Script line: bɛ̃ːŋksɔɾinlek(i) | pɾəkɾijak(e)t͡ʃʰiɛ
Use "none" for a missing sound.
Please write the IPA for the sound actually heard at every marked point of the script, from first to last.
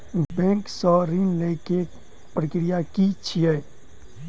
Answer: e, i

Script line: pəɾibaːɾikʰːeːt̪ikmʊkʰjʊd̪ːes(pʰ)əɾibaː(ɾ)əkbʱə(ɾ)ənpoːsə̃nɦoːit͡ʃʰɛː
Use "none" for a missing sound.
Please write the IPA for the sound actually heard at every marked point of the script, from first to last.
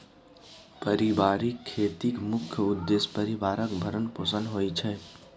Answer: p, ɾ, ɾ

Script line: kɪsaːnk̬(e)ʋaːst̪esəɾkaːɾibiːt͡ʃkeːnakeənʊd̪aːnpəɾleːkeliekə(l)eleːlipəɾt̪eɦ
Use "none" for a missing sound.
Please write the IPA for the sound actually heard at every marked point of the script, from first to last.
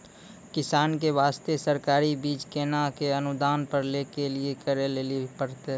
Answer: e, ɾ

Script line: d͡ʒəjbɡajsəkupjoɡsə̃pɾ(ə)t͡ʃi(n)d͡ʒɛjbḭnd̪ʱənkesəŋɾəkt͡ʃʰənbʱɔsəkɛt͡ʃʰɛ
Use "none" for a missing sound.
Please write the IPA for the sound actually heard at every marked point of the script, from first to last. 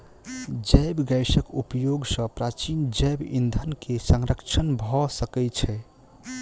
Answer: a, n

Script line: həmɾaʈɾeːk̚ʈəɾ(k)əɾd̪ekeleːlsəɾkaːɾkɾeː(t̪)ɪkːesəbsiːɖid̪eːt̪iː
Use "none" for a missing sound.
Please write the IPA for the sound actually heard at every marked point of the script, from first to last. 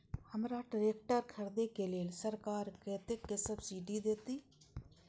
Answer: kʰ, t̪

